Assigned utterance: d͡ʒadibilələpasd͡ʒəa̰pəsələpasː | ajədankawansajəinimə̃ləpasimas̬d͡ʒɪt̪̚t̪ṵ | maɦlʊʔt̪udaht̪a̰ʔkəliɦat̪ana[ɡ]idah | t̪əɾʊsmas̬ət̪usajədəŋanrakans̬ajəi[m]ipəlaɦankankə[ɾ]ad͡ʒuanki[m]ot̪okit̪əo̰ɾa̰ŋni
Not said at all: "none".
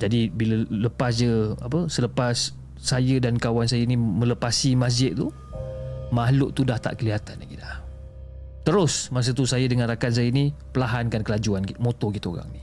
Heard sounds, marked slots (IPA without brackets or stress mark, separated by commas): ɡ, n, l, m